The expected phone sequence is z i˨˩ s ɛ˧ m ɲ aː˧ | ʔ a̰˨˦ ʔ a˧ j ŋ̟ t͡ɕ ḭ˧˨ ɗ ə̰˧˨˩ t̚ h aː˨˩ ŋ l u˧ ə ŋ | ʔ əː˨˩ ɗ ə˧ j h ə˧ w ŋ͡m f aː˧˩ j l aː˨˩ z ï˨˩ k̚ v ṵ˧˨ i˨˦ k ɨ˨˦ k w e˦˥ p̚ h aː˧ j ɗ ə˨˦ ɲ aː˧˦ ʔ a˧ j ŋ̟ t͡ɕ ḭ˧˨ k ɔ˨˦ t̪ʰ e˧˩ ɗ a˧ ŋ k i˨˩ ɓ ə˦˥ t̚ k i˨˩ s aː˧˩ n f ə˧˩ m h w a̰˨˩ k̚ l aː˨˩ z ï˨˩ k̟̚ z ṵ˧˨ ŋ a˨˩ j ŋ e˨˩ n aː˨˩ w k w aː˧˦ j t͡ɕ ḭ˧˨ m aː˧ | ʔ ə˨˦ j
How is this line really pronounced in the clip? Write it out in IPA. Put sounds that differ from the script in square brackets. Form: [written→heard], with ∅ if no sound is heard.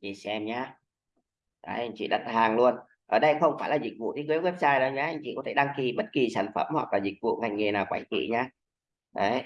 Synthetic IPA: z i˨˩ s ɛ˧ m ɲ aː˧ | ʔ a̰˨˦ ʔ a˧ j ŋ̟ t͡ɕ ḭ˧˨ ɗ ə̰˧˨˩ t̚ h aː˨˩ ŋ l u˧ ə [ŋ→n] | ʔ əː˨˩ ɗ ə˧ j [h→x] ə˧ w ŋ͡m f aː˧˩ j l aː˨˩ z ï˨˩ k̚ v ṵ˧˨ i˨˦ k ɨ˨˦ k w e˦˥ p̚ [h→s] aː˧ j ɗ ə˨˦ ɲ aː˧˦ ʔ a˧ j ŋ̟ t͡ɕ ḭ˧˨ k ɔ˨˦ t̪ʰ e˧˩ ɗ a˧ ŋ k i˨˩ ɓ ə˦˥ t̚ k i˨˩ s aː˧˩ n f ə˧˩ m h w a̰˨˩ k̚ l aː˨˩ z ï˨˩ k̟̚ [z→v] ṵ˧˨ ŋ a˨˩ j ŋ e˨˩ n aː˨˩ w k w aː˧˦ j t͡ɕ ḭ˧˨ [m→ɲ] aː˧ | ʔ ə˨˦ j